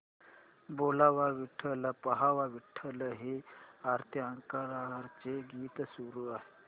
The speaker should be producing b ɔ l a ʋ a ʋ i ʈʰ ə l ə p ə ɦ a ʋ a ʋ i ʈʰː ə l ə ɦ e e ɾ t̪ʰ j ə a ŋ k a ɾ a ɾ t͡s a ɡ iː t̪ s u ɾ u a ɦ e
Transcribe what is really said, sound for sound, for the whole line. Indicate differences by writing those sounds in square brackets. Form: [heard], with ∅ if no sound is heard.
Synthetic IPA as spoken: b [o] l a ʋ a ʋ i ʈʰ ə l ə p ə ɦ a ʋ a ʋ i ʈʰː ə l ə ɦ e [a] ɾ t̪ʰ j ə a ŋ k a ɾ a ɾ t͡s [e] ɡ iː t̪ s u ɾ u a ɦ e